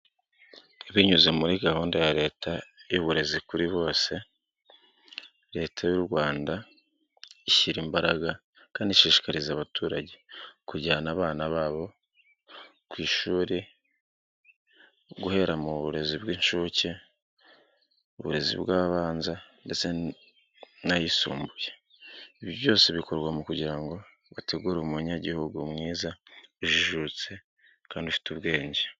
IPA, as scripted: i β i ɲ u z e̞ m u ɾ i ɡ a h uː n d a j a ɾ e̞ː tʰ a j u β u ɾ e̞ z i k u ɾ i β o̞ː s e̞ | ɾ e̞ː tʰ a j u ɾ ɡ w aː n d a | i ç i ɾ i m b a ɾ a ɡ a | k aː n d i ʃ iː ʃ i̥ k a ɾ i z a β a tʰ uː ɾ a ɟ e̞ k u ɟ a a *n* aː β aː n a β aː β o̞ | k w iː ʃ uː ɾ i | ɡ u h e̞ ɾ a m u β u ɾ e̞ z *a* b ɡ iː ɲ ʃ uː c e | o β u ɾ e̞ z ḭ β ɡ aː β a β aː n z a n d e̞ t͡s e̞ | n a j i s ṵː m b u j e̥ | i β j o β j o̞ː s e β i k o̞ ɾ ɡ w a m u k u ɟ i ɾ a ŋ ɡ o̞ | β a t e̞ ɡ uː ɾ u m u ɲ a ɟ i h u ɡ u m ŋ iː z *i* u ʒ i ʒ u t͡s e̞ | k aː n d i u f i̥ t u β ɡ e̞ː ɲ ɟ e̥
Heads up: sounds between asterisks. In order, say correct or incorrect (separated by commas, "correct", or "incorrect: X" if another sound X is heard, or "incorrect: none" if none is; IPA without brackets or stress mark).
correct, incorrect: i, incorrect: a